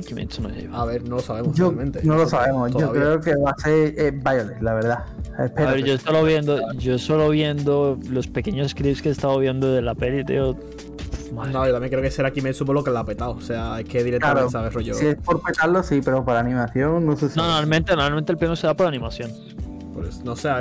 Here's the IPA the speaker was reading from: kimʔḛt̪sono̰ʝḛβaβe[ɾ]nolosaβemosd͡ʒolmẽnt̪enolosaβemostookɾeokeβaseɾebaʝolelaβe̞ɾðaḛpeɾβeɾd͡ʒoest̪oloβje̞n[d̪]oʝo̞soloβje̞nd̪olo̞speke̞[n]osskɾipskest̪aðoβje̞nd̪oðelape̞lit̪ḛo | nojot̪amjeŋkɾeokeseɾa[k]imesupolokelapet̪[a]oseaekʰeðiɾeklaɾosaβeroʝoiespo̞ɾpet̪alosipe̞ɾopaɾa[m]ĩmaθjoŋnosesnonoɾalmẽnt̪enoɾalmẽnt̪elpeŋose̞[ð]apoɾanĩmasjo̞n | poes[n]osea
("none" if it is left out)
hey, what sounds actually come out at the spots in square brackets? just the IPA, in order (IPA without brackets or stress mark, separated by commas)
ɾ, d̪, ɲ, k, a, n, ð, n